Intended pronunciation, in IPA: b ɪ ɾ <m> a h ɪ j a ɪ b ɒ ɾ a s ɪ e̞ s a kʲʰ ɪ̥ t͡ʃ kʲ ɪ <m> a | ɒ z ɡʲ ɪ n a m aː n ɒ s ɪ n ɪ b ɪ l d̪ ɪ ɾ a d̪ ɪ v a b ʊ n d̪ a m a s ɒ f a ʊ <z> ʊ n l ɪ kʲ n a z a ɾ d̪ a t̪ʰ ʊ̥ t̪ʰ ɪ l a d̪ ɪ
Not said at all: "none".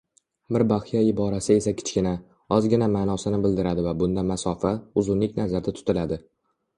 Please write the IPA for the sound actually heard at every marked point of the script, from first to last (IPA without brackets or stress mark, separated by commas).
b, n, z